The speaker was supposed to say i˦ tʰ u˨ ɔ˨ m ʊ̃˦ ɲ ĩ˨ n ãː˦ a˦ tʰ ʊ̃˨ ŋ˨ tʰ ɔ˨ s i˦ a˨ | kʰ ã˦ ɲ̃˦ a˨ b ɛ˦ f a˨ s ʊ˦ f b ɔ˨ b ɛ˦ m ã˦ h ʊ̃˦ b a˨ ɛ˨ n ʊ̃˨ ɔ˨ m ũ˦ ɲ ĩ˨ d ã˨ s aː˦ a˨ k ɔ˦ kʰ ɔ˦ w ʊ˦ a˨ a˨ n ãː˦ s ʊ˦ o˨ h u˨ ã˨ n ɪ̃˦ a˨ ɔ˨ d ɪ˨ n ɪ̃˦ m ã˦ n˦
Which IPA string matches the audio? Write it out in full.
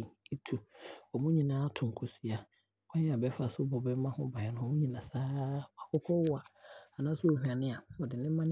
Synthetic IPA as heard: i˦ tʰ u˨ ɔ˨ m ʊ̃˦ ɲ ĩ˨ n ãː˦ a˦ tʰ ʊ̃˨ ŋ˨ kʰ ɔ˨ s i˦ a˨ | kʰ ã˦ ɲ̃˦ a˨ b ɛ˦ f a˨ s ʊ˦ b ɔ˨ b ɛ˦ m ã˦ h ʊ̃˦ b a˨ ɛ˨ n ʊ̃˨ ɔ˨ m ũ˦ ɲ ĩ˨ n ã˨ s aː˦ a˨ k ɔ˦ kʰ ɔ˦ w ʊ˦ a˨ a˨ n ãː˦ s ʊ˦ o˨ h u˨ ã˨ n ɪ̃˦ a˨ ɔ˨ d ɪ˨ n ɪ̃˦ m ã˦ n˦